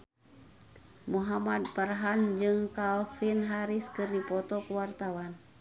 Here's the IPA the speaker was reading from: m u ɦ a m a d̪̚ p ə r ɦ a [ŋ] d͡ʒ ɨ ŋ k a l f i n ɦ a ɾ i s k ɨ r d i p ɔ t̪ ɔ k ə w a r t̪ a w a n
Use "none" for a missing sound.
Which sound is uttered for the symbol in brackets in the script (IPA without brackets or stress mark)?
n